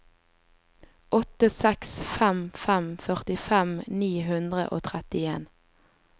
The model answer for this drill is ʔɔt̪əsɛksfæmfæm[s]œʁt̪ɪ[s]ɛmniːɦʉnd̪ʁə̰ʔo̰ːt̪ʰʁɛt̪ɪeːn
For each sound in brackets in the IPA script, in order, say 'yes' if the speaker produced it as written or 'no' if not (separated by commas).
no, no